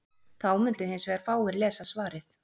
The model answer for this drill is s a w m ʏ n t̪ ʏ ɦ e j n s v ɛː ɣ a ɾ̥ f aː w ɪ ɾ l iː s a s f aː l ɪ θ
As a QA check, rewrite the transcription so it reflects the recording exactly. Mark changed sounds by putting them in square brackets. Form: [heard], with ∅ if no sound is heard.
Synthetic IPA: [θ] a w m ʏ n t̪ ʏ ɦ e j n s v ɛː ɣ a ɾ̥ f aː w ɪ ɾ l [ɛː] s a s [v] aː [ɾ] ɪ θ